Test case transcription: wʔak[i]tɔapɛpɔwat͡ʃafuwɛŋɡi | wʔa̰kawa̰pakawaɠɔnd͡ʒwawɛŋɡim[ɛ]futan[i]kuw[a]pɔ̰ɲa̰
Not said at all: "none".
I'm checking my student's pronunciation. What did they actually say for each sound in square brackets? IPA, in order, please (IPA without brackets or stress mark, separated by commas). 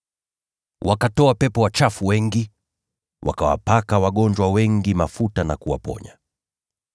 a, a, a, a